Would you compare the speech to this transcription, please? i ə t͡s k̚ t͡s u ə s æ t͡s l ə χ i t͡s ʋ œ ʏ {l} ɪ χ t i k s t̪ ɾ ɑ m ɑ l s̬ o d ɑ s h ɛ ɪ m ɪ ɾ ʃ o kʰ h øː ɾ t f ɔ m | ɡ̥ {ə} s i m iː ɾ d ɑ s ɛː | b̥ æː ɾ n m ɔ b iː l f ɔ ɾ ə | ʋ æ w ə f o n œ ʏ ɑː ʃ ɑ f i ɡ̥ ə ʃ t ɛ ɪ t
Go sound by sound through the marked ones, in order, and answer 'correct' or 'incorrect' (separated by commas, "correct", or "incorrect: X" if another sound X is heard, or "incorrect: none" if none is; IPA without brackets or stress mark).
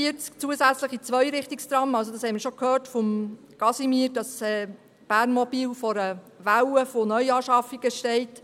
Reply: incorrect: ɾ, incorrect: ɑ